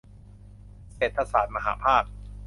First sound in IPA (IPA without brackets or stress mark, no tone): s